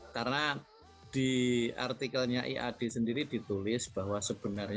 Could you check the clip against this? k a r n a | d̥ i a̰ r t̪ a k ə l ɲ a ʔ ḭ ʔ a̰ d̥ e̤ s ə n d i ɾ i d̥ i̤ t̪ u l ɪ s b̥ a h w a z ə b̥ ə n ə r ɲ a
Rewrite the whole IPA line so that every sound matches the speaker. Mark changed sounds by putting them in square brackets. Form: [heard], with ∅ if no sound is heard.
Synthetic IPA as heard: k a r n a | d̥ i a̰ r t̪ [i] k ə l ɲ a ʔ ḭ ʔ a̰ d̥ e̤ s ə n d i ɾ i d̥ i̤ t̪ u l ɪ s b̥ a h w a [s] ə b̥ ə n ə r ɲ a